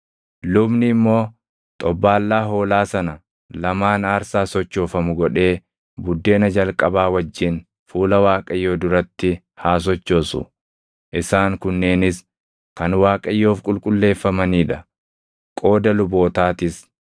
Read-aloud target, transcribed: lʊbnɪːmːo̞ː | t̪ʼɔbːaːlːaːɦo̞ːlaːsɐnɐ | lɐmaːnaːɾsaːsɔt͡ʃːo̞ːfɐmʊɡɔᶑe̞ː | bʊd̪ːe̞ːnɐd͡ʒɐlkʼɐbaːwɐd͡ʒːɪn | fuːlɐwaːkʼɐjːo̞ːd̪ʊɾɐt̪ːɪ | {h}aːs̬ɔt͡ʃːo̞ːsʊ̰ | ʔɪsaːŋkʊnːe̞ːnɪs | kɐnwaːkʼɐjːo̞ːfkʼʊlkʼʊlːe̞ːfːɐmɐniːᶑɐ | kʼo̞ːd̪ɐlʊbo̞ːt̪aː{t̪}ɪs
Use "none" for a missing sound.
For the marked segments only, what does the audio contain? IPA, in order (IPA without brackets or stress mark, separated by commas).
h, t̪